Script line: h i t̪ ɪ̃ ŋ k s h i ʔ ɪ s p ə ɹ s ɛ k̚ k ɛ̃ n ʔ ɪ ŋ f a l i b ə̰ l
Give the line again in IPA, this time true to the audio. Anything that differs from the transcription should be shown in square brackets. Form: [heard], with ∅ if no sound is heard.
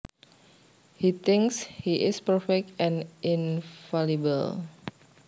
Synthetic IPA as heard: h i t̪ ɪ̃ ŋ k s h i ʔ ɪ s p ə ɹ [f] ɛ k̚ [t] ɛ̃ n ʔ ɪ [n] f a l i b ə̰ l